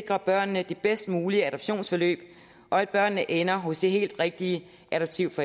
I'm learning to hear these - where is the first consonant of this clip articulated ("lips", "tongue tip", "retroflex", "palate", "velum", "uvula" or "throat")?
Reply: velum